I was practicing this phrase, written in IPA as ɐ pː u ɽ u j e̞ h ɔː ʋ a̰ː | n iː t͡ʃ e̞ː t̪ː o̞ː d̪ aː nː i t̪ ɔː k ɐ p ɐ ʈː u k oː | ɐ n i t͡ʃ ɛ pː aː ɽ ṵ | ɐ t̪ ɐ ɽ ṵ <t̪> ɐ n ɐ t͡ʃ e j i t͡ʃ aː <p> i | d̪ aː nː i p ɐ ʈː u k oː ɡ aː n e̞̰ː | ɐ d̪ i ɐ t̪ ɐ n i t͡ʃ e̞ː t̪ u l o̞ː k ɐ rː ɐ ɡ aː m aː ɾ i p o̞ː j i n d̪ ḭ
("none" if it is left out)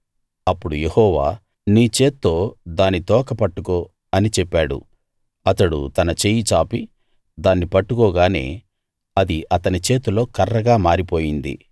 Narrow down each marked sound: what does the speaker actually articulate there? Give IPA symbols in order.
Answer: t̪, p

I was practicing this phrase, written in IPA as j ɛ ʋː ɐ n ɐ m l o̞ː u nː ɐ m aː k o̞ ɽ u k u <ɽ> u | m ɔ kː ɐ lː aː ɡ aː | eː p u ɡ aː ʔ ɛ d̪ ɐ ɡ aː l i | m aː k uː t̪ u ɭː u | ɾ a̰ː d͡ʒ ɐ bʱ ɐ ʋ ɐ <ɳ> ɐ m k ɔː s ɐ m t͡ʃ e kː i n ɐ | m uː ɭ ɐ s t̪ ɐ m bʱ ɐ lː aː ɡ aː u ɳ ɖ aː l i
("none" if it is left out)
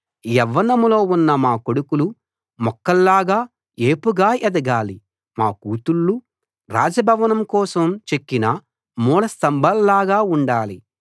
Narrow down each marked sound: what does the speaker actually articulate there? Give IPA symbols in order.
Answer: l, n

